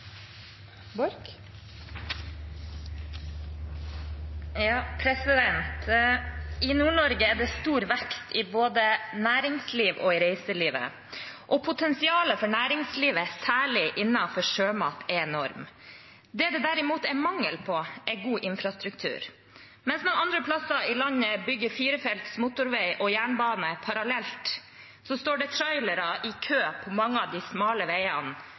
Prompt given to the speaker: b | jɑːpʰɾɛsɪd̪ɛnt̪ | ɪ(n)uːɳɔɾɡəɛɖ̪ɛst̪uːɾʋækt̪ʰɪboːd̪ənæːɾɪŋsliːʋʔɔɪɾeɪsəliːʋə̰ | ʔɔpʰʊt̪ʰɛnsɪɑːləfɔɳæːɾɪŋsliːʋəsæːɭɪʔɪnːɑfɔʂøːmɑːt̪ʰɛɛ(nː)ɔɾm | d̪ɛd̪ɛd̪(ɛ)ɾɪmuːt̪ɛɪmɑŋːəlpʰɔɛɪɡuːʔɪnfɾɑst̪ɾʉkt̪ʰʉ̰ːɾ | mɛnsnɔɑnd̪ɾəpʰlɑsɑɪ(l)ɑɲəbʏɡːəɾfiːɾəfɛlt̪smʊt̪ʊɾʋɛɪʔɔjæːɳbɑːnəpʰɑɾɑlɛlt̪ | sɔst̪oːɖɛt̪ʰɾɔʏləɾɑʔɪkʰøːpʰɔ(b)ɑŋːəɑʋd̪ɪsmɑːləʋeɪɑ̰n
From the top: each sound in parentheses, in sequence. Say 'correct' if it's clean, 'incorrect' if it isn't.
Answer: correct, incorrect: n, incorrect: æ, correct, incorrect: m

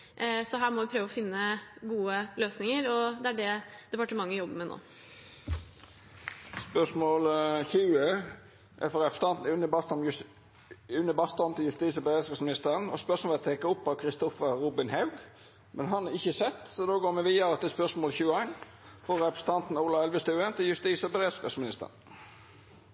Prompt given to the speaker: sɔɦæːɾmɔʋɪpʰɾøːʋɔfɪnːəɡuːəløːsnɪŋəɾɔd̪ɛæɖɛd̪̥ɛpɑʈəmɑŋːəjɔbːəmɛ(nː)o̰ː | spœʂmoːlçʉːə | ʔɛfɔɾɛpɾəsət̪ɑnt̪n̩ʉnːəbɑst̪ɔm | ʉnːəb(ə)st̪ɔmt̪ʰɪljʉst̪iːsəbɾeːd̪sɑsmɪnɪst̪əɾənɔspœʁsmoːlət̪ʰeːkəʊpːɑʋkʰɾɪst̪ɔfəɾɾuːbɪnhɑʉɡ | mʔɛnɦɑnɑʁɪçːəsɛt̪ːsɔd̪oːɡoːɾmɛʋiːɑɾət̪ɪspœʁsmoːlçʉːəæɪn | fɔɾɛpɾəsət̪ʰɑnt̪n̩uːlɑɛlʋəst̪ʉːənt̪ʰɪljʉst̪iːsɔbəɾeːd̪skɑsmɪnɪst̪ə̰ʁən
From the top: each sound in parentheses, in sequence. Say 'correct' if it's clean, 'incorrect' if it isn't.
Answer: incorrect: n, incorrect: ɑ

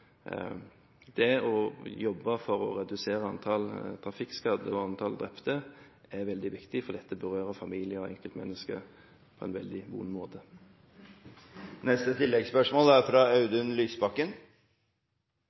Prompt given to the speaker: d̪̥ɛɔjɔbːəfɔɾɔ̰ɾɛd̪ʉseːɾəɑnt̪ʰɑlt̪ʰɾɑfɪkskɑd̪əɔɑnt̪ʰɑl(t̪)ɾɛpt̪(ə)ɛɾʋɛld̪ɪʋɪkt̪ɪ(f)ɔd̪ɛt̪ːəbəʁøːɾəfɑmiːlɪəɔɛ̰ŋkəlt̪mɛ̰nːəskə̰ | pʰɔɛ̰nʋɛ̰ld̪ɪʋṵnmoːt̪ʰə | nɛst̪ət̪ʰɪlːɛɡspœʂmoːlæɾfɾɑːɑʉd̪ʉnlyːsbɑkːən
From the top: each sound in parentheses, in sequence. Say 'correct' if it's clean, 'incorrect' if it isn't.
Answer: incorrect: d̪, correct, correct

